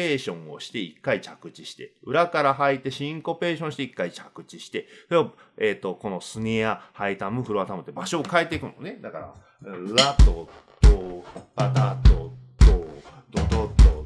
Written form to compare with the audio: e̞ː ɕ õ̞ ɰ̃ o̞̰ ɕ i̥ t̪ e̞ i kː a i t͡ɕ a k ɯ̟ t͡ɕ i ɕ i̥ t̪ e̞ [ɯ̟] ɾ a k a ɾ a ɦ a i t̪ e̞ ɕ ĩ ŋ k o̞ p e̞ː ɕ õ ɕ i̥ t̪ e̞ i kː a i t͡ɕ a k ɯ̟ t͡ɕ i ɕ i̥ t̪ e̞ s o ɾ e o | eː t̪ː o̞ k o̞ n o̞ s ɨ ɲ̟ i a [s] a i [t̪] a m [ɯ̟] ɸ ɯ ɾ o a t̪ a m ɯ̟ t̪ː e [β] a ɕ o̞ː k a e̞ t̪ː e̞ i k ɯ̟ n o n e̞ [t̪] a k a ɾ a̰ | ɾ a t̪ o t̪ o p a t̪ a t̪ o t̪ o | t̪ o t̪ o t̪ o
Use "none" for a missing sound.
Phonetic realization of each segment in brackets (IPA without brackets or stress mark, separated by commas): ɯ̟, h, t̪, ɯ̟, b, d̪